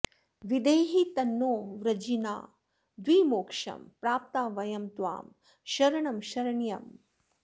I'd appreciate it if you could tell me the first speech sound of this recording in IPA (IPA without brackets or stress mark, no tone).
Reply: ʋ